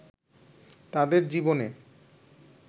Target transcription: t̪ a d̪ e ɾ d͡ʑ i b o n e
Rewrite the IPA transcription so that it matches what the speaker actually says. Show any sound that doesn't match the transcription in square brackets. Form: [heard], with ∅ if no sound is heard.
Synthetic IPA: t̪ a d̪ e ɾ d͡ʑ i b o n e